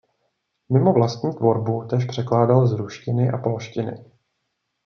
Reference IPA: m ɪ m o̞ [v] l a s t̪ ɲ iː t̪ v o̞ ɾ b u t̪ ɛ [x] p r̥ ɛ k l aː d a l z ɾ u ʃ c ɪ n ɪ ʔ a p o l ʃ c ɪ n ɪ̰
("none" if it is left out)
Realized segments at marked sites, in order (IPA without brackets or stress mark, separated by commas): v, ʃ